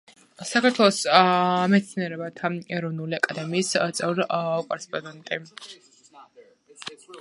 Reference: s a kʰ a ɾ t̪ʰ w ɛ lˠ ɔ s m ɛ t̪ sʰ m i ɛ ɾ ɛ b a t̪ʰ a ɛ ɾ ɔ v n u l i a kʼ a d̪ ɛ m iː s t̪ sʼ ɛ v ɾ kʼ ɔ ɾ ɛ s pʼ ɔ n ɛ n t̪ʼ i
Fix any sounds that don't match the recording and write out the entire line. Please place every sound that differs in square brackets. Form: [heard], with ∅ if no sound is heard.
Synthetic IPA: s a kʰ a ɾ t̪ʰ w ɛ lˠ ɔ s m ɛ t̪ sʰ [n] i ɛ ɾ ɛ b a t̪ʰ a ɛ ɾ ɔ v n u l i a kʼ a d̪ ɛ m iː s t̪ sʼ ɛ v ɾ kʼ ɔ ɾ ɛ s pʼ ɔ n ɛ n t̪ʼ i